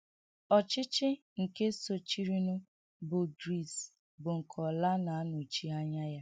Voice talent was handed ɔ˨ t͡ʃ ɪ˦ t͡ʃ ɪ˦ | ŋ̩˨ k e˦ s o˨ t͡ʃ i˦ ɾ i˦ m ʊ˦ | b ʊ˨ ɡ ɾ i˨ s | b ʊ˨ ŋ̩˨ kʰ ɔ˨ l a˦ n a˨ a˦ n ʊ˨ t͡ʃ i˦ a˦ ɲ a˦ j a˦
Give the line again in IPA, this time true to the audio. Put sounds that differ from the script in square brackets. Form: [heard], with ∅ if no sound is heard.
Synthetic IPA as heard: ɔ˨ t͡ʃ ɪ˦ t͡ʃ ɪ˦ | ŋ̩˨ k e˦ s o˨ t͡ʃ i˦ ɾ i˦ [n] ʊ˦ | b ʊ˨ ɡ ɾ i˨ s | b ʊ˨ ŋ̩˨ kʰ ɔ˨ l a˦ n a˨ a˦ n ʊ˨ t͡ʃ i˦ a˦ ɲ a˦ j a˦